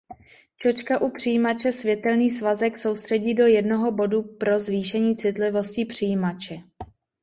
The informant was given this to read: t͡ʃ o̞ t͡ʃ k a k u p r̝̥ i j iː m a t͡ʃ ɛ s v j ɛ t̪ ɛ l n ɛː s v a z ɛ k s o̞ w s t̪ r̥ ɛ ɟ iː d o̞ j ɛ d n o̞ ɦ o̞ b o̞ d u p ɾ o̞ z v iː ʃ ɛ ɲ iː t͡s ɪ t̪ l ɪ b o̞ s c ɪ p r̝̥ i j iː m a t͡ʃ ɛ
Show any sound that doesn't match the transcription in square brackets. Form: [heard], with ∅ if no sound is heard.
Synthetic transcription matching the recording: t͡ʃ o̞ t͡ʃ k a [ʔ] u p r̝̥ i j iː m a t͡ʃ ɛ s v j ɛ t̪ ɛ l n [iː] s v a z ɛ k s o̞ w s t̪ r̥ ɛ ɟ iː d o̞ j ɛ d n o̞ ɦ o̞ b o̞ d u p ɾ o̞ z v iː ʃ ɛ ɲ iː t͡s ɪ t̪ l ɪ [v] o̞ s c ɪ p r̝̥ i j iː m a t͡ʃ ɛ